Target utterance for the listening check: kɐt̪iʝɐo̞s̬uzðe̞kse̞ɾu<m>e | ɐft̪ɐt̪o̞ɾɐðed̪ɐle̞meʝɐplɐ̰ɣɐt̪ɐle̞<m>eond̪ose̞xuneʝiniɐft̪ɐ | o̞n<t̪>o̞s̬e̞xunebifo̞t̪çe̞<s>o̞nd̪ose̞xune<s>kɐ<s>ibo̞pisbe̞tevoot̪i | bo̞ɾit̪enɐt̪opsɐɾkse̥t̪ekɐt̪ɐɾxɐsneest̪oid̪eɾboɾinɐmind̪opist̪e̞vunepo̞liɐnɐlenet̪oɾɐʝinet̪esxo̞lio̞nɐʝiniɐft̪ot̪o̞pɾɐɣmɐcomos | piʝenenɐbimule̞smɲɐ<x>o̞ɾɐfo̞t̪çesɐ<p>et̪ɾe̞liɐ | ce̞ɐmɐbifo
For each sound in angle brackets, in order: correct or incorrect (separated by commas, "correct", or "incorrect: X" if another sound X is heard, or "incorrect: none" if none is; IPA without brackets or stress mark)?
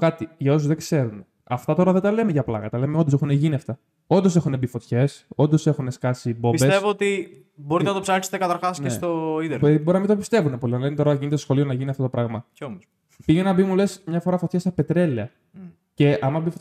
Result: incorrect: n, correct, incorrect: d̪, correct, correct, correct, incorrect: f, correct